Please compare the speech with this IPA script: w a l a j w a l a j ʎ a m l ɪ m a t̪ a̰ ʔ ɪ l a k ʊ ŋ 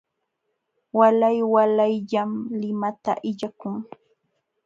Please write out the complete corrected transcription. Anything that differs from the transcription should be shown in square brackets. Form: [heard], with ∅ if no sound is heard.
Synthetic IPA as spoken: w a l a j w a l a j ʎ a m l ɪ m a t̪ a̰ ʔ ɪ [ʎ] a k ʊ ŋ